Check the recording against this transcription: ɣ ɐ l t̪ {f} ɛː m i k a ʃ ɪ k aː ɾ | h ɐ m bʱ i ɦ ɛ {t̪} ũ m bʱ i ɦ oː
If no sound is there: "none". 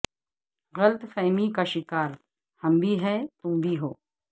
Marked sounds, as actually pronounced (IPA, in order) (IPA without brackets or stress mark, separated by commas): f, t̪